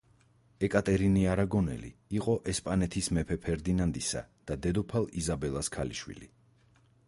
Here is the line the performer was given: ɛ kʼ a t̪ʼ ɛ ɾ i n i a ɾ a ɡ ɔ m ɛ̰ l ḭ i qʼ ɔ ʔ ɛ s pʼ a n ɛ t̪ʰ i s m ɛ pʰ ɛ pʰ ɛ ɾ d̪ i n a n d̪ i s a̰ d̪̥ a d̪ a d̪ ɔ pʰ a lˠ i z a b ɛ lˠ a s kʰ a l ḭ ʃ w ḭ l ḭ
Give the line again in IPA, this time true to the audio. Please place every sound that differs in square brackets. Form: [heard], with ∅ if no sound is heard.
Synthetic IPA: ɛ kʼ a t̪ʼ ɛ ɾ i n i a ɾ a ɡ ɔ [n] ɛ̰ l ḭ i qʼ ɔ ʔ ɛ s pʼ a n ɛ t̪ʰ i s m ɛ pʰ ɛ pʰ ɛ ɾ d̪ i n a n d̪ i s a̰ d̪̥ a d̪ [ɛ] d̪ ɔ pʰ a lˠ i z a b ɛ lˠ a s kʰ a l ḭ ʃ w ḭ l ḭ

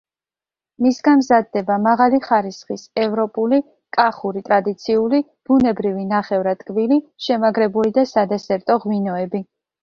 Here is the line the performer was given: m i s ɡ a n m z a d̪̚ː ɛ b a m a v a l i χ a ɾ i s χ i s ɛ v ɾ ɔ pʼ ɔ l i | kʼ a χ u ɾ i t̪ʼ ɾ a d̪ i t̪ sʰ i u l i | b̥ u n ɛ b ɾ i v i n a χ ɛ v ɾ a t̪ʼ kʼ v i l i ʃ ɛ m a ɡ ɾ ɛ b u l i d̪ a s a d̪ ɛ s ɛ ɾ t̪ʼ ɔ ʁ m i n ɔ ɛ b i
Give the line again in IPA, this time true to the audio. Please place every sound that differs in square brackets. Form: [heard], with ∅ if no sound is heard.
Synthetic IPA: m i s ɡ a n m z a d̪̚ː ɛ b a m a [ʁ] a l i χ a ɾ i s χ i s ɛ v ɾ ɔ pʼ [u] l i | kʼ a χ u ɾ i t̪ʼ ɾ a d̪ i t̪ sʰ i u l i | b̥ u n ɛ b ɾ i v i n a χ ɛ v ɾ a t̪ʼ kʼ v i l i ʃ ɛ m a ɡ ɾ ɛ b u l i d̪ a s a d̪ ɛ s ɛ ɾ t̪ʼ ɔ ʁ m i n ɔ ɛ b i

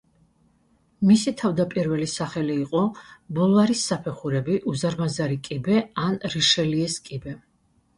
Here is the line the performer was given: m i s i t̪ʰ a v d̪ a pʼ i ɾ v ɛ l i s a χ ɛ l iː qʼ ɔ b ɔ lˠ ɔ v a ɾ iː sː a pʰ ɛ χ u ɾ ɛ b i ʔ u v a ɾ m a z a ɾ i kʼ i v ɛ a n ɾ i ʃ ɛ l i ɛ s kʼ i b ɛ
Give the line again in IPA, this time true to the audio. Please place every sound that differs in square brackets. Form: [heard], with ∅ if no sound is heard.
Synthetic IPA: m i s i t̪ʰ a v d̪ a pʼ i ɾ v ɛ l i s a χ ɛ l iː qʼ ɔ b ɔ lˠ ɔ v a ɾ [i] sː a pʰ ɛ χ u ɾ ɛ b i ʔ u [z] a ɾ m a z a ɾ i kʼ i [b] ɛ a n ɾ i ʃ ɛ l i ɛ s kʼ i b ɛ

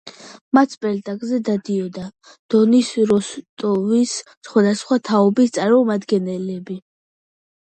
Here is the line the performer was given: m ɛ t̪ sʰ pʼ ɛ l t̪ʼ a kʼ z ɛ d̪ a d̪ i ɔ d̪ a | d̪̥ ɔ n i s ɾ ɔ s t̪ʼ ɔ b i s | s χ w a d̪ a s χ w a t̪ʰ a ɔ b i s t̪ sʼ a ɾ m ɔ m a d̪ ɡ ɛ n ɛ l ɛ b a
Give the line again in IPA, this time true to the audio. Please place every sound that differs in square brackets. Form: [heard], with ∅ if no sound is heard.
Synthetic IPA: m [a] t̪ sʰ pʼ ɛ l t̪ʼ a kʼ z ɛ d̪ a d̪ i ɔ d̪ a | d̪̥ ɔ n i s ɾ ɔ s t̪ʼ ɔ [v] i s | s χ w a d̪ a s χ w a t̪ʰ a ɔ b i s t̪ sʼ a ɾ m ɔ m a d̪ ɡ ɛ n ɛ l ɛ b [i]

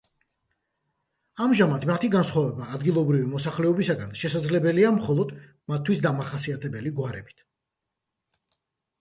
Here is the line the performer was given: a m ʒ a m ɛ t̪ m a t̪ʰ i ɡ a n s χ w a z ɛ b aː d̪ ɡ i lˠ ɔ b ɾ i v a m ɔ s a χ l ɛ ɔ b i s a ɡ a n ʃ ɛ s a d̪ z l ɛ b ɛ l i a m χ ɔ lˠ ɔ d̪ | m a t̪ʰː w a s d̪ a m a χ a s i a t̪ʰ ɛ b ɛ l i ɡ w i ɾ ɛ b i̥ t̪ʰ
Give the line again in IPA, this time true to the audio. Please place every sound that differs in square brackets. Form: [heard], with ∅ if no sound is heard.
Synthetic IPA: a m ʒ a m [a] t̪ m a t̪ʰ i ɡ a n s χ w a [v] ɛ b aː d̪ ɡ i lˠ ɔ b ɾ i v [i] m ɔ s a χ l ɛ ɔ b i s a ɡ a n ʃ ɛ s a d̪ z l ɛ b ɛ l i a m χ ɔ lˠ ɔ d̪ | m a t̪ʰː w [i] s d̪ a m a χ a s i a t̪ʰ ɛ b ɛ l i ɡ w [a] ɾ ɛ b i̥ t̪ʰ

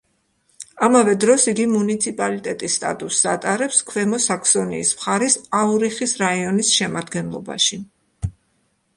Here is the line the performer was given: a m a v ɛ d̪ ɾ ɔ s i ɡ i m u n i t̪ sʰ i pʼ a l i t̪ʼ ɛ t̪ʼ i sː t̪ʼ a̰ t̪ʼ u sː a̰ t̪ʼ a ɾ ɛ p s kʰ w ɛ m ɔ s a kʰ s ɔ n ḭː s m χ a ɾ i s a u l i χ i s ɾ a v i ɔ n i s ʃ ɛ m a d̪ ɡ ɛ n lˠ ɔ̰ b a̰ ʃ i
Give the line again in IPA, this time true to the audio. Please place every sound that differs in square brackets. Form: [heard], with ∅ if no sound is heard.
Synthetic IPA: a m a v ɛ d̪ ɾ ɔ s i ɡ i m u n i t̪ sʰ i pʼ a l i t̪ʼ ɛ t̪ʼ i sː t̪ʼ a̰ t̪ʼ u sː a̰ t̪ʼ a ɾ ɛ p s kʰ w ɛ m ɔ s a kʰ s ɔ n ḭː s m χ a ɾ i s a u [ɾ] i χ i s ɾ a [∅] i ɔ n i s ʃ ɛ m a d̪ ɡ ɛ n lˠ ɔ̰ b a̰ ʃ i

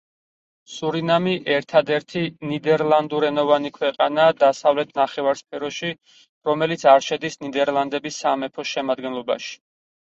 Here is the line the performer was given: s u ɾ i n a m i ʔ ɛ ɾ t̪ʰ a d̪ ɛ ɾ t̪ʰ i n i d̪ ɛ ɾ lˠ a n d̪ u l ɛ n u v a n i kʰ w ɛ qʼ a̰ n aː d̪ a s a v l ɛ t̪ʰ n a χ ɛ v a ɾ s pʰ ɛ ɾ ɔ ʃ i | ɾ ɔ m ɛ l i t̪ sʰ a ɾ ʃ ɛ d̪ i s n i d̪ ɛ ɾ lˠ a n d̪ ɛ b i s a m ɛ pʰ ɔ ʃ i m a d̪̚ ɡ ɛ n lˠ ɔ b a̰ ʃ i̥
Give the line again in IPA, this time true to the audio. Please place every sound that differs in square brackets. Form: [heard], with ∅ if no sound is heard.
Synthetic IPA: s u ɾ i n a m i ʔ ɛ ɾ t̪ʰ a d̪ ɛ ɾ t̪ʰ i n i d̪ ɛ ɾ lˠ a n d̪ u [ɾ] ɛ n [ɔ] v a n i kʰ w ɛ qʼ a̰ n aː d̪ a s a v l ɛ t̪ʰ n a χ ɛ v a ɾ s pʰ ɛ ɾ ɔ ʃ i | ɾ ɔ m ɛ l i t̪ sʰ a ɾ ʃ ɛ d̪ i s n i d̪ ɛ ɾ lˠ a n d̪ ɛ b i s a m ɛ pʰ ɔ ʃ [ɛ] m a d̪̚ ɡ ɛ n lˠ ɔ b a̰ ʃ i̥

